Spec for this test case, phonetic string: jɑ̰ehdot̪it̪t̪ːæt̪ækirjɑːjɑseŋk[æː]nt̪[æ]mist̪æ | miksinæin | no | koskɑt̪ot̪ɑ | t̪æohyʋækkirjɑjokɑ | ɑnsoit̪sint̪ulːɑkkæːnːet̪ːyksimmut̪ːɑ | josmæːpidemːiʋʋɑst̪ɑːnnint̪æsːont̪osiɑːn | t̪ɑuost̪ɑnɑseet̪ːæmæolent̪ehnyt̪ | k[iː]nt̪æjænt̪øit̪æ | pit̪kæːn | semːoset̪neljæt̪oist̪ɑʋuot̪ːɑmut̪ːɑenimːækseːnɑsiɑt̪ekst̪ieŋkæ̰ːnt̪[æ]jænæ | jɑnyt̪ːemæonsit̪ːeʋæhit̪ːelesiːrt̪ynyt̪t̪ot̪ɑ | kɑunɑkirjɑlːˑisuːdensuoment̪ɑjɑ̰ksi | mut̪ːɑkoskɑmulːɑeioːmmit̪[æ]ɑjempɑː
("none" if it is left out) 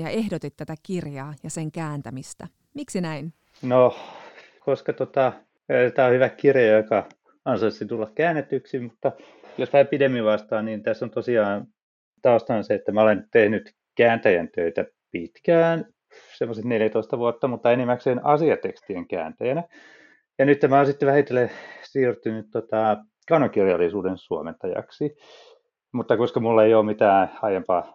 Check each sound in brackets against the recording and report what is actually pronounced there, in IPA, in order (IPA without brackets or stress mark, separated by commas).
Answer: æː, æ, æː, æ, æː